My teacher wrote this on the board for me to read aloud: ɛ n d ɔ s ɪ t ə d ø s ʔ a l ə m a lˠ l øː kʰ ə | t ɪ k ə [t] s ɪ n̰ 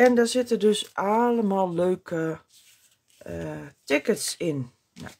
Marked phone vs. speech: correct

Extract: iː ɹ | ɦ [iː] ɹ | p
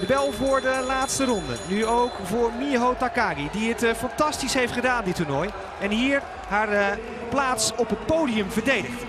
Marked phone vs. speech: incorrect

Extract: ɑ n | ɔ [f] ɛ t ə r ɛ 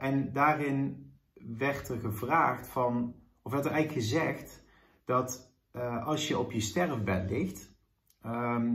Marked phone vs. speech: correct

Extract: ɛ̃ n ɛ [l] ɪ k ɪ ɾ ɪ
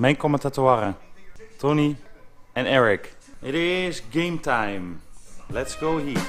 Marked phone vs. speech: incorrect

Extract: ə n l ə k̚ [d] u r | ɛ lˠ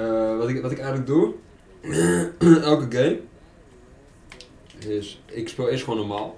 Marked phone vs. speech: correct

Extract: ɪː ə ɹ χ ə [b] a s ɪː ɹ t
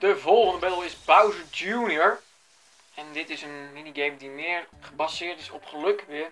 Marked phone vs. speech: correct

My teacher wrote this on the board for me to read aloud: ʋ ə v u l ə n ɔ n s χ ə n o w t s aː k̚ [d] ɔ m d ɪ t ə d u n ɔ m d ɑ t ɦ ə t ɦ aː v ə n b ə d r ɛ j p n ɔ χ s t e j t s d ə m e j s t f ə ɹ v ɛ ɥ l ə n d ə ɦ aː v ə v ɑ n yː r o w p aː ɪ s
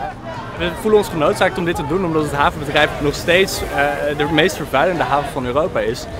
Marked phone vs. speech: incorrect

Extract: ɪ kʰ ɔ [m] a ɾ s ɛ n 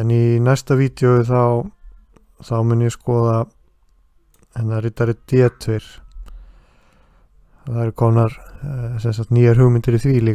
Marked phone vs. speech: incorrect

